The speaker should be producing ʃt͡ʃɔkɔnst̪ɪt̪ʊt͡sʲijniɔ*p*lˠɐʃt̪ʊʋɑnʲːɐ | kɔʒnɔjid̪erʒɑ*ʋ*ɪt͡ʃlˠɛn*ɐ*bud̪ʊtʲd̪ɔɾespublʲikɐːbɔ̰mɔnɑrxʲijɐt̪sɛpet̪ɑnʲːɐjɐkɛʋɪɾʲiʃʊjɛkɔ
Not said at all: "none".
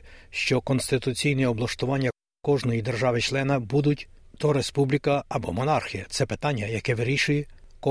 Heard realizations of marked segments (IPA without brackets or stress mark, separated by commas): b, ʋ, ɐ